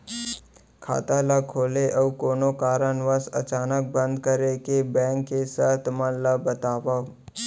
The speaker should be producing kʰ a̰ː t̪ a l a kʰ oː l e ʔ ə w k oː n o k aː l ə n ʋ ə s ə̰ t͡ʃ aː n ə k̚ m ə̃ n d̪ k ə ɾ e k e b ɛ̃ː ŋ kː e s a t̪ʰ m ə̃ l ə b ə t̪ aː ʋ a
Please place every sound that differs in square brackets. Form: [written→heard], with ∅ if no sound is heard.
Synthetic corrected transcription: kʰ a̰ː t̪ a l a kʰ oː l e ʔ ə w k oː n o k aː [l→ɾ] ə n ʋ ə s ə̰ t͡ʃ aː n ə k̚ [m→b] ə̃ n d̪ k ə ɾ e k e b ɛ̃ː ŋ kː e s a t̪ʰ m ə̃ l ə b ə t̪ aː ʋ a